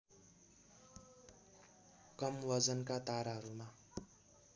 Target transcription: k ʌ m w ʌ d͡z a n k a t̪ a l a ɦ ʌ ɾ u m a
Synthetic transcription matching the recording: k ʌ m w ʌ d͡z ʌ n k a t̪ a ɾ a ɦ ʌ ɾ u m a